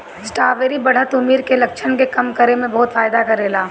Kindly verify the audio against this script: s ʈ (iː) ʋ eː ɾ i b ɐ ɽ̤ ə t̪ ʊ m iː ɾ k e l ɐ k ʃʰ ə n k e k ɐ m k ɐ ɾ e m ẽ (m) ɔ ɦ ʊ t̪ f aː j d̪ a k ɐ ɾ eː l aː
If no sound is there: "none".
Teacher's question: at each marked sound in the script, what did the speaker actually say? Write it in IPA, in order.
aː, b

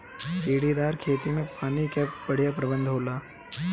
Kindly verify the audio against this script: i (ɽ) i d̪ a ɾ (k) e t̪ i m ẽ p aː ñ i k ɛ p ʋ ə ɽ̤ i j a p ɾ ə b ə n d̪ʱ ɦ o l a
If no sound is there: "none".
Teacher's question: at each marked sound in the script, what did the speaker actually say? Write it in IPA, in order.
ɽ, kʰ

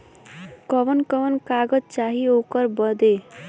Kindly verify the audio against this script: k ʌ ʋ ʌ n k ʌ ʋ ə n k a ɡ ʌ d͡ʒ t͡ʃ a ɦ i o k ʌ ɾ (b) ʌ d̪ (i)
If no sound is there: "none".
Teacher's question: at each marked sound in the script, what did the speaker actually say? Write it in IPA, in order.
b, e

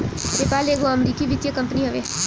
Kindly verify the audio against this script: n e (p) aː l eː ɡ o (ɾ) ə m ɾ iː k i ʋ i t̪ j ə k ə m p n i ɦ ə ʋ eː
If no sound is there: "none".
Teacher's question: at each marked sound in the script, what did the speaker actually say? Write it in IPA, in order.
p, none

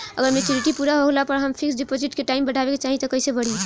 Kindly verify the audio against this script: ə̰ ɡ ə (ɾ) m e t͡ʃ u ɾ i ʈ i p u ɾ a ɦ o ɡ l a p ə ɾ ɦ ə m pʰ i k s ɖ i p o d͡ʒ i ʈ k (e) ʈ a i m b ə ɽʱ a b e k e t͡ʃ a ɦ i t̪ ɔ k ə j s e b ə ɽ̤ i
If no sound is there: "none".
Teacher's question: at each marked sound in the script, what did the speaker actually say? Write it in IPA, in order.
ɾ, e

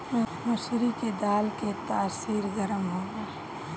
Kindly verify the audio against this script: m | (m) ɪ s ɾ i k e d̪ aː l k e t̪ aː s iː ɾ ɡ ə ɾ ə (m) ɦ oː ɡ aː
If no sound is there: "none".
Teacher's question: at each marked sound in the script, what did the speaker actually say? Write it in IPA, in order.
m, m

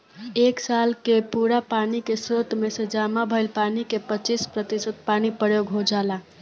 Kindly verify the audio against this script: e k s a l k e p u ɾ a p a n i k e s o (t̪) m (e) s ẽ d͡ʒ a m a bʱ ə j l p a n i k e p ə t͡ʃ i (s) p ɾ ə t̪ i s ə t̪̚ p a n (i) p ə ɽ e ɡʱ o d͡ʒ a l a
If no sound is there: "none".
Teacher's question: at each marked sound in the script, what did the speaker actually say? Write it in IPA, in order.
t̪, e, s, i

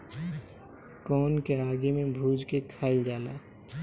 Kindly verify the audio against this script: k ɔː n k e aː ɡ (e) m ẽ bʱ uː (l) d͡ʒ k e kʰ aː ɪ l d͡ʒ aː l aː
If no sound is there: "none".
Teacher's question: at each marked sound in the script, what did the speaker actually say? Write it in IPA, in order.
e, none

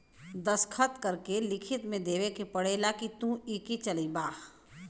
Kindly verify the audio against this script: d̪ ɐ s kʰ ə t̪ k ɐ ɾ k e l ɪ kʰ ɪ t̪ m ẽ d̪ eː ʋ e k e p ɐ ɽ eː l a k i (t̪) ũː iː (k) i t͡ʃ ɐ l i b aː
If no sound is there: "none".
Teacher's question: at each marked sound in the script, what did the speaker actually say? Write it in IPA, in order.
t̪, k

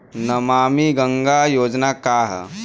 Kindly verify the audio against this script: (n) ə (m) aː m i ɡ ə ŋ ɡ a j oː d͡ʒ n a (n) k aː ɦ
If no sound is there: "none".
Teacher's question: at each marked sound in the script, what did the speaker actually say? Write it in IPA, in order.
n, m, none

